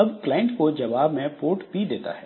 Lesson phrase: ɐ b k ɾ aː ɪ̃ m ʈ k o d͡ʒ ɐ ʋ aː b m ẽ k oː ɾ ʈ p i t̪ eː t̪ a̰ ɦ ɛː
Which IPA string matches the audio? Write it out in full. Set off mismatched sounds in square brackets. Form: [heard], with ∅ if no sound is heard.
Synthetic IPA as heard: ɐ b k [l] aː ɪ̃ [ɳ] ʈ k o d͡ʒ ɐ ʋ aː b m ẽ [p] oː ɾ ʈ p i [d̪] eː t̪ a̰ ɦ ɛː